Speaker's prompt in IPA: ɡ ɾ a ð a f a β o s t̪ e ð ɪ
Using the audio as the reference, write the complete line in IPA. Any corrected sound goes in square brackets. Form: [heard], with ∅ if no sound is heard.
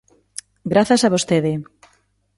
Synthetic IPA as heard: ɡ ɾ a [θ] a [s] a β o s t̪ e ð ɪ